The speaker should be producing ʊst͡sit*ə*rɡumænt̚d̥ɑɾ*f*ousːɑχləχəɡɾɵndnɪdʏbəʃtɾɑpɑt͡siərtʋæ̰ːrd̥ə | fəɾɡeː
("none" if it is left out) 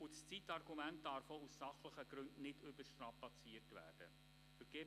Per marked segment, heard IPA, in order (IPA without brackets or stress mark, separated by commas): ɑ, f